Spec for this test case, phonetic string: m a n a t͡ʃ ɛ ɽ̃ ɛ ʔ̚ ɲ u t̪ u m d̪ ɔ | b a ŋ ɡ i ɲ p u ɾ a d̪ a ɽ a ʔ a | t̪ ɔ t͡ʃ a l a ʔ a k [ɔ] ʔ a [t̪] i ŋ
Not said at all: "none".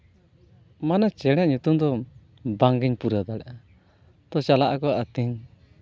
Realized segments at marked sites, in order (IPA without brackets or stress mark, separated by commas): ɔ, t̪